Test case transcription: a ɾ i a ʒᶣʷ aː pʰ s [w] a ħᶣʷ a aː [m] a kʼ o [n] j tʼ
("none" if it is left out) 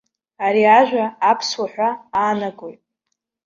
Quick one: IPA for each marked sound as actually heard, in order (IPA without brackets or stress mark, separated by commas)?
w, n, none